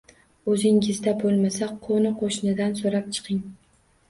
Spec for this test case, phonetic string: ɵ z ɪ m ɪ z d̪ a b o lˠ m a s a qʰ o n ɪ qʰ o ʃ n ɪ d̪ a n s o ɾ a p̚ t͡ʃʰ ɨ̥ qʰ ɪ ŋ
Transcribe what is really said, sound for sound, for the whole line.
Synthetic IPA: ɵ z ɪ ŋ ɪ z d̪ a b o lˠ m a s a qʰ o n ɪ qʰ o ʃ n ɪ d̪ a n s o ɾ a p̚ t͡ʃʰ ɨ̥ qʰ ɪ ŋ